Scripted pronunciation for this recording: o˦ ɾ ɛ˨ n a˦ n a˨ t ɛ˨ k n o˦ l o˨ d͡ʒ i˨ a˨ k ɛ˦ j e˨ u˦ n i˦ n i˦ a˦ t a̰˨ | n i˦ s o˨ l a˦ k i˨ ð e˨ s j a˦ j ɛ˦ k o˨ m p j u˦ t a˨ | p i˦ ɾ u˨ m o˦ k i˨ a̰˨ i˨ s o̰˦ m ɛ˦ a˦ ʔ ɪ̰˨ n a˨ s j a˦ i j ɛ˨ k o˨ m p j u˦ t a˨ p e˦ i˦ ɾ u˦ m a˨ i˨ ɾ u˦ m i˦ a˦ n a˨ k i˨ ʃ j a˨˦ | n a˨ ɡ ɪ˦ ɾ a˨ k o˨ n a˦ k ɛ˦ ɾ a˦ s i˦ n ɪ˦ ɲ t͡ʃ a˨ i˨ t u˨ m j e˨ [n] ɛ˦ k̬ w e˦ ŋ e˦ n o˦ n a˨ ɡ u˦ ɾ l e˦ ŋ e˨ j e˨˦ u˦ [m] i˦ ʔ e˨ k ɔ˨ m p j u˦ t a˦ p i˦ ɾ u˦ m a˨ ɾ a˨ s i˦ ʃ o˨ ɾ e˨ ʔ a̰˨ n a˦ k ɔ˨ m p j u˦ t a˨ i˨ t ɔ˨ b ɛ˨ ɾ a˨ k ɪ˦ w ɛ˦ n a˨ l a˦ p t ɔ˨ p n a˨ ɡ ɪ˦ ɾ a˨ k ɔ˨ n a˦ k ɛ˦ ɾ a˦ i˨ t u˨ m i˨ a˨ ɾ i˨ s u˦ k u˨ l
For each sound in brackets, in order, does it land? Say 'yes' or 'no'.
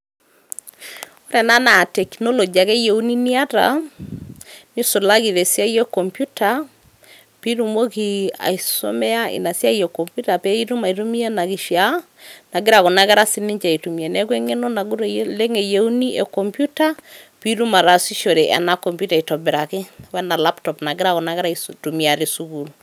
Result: yes, no

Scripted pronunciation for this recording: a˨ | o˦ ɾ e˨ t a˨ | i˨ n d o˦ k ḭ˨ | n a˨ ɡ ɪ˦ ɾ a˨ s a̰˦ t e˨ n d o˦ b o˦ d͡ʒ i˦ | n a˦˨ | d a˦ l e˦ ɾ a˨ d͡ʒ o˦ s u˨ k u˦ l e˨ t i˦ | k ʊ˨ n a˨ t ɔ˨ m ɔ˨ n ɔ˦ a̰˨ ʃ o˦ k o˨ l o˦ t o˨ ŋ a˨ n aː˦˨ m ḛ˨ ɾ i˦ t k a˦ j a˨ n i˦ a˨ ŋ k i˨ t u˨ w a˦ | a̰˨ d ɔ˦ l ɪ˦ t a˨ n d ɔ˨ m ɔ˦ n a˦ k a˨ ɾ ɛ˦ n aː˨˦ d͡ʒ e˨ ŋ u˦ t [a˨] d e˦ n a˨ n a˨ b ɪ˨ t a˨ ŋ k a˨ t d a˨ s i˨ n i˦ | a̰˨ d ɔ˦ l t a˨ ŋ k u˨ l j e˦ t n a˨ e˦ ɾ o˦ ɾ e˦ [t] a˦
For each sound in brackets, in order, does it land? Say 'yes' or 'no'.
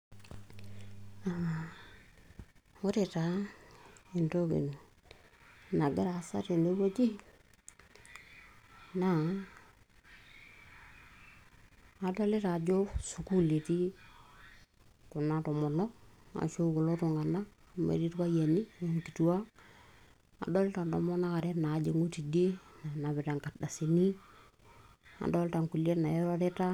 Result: no, yes

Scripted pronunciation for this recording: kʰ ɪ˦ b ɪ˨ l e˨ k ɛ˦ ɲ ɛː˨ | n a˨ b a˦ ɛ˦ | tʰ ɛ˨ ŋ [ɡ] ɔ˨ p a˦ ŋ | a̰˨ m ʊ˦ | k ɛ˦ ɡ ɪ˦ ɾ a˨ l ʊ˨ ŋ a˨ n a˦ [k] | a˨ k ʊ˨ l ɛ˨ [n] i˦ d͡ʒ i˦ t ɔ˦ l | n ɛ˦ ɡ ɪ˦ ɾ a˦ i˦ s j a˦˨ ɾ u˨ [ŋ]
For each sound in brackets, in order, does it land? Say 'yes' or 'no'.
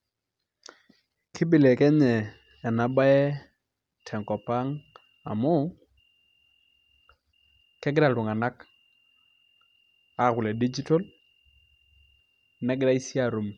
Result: no, yes, no, no

